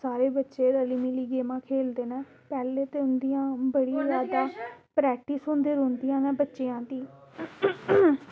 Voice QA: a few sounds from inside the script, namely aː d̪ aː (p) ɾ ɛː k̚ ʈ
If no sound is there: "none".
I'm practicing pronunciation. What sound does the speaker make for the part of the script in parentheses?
p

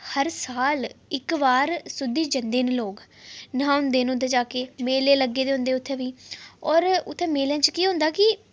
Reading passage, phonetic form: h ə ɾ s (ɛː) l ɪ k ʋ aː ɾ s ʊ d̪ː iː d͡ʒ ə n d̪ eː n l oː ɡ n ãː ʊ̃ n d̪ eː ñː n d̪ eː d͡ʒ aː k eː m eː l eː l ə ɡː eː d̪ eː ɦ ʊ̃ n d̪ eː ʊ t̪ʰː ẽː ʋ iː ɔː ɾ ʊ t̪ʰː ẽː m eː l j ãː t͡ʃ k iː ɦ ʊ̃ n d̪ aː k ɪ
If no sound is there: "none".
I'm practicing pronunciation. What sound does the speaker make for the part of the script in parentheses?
aː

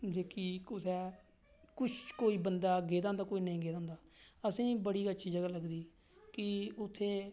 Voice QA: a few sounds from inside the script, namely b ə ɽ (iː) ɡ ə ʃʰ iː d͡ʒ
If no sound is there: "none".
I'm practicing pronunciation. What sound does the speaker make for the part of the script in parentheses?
iː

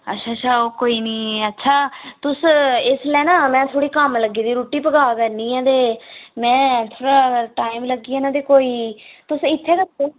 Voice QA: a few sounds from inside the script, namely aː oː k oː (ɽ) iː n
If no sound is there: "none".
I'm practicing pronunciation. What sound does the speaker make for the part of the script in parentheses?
none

